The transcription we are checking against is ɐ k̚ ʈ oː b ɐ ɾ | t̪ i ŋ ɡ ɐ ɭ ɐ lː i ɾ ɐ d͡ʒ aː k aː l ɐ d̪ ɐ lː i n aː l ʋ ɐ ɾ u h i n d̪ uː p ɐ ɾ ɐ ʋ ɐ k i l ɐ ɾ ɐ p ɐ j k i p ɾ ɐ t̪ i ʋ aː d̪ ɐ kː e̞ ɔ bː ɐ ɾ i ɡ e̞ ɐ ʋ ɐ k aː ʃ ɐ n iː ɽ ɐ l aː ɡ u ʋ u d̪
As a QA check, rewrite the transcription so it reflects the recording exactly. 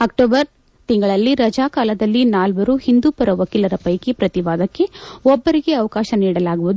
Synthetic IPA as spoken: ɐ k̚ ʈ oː b ɐ ɾ | t̪ i ŋ ɡ ɐ ɭ ɐ lː i ɾ ɐ d͡ʒ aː k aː l ɐ d̪ ɐ lː i n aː l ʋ ɐ ɾ u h i n d̪ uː p ɐ ɾ ɐ ʋ ɐ k i l ɐ ɾ ɐ p ɐ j k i p ɾ ɐ t̪ i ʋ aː d̪ ɐ kː e̞ ɔ bː ɐ ɾ i ɡ e̞ ɐ ʋ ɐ k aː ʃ ɐ n iː ɽ ɐ l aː ɡ u ʋ u d̪